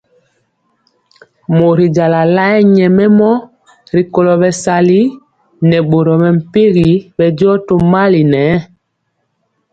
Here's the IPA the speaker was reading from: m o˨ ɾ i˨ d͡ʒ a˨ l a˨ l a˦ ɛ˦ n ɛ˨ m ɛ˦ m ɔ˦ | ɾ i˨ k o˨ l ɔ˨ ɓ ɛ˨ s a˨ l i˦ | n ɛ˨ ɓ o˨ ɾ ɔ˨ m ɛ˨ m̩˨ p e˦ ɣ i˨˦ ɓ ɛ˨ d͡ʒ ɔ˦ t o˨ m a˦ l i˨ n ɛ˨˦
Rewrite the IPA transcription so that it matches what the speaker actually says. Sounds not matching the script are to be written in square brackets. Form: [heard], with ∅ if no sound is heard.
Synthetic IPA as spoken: m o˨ ɾ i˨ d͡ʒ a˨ l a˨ l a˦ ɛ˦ [ɲ] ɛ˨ m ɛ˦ m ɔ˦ | ɾ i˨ k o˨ l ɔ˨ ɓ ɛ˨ s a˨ l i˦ | n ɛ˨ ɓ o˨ ɾ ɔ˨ m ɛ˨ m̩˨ p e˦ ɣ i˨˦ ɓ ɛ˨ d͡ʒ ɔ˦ t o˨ m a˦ l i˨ n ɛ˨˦